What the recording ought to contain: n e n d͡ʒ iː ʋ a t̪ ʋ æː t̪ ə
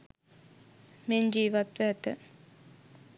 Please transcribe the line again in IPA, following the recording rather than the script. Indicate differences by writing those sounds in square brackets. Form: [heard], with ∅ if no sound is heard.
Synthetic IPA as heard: [m] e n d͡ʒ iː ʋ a t̪ ʋ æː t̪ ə